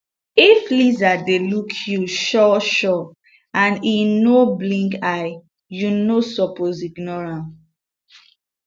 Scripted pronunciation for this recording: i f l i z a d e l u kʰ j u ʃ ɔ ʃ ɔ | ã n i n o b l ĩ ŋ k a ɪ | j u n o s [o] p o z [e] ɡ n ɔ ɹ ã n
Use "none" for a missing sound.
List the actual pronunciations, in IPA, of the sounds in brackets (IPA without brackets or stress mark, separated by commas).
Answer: ɔ, i